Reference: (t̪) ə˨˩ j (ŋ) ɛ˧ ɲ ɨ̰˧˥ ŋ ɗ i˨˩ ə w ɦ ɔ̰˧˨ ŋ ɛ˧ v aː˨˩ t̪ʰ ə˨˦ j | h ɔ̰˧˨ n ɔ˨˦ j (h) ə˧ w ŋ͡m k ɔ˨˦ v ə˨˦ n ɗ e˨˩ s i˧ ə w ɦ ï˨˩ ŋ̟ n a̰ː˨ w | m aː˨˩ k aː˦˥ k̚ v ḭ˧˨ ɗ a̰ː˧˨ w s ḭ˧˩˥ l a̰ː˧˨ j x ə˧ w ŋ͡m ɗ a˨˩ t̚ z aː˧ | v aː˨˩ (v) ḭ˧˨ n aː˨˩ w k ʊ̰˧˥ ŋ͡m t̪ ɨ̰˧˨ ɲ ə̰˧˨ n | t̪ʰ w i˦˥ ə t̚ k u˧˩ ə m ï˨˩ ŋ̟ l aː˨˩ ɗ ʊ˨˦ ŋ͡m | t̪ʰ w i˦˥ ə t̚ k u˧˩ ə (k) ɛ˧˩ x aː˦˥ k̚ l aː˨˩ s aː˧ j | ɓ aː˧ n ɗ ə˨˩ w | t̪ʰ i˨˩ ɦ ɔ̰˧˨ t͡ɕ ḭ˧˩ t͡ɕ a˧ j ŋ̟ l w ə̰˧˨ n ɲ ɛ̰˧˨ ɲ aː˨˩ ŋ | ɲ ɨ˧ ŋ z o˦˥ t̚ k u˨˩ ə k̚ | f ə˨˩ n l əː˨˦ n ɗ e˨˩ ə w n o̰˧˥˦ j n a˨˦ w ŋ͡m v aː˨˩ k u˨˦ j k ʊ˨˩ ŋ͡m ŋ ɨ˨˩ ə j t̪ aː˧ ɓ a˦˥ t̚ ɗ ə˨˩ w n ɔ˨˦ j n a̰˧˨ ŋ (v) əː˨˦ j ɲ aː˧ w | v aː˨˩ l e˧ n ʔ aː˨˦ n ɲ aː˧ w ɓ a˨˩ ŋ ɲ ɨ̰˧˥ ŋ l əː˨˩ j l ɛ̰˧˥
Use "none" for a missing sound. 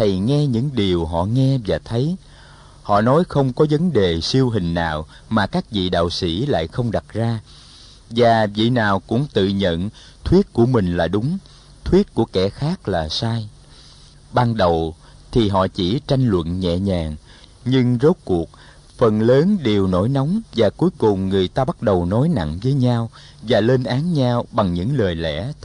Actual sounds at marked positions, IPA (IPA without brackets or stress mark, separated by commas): t̪ʰ, ŋ, x, v, k, v